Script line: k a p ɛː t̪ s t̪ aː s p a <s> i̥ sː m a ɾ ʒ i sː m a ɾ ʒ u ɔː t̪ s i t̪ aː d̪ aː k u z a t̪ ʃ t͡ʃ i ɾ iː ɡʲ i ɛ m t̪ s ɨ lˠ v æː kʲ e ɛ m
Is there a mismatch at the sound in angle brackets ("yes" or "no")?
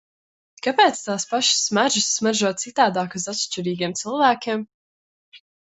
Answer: yes